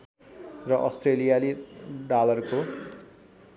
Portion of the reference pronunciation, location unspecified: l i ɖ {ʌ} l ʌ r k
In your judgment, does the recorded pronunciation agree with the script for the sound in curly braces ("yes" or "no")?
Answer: no